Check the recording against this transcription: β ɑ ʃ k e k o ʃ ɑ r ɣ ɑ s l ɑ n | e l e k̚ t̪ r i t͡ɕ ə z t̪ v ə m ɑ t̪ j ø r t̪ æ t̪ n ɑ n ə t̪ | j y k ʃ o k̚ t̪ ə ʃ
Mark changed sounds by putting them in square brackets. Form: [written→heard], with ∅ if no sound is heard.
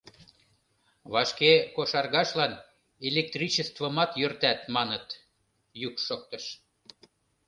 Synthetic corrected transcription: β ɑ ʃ k e k o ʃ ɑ r ɣ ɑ [s→ʃ] l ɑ n | e l e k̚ t̪ r i t͡ɕ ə [z→s] t̪ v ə m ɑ t̪ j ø r t̪ æ t̪ [n→m] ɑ n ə t̪ | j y k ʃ o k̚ t̪ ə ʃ